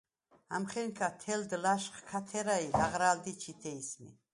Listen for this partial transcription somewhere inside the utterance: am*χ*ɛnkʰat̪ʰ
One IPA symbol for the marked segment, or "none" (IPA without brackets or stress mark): χ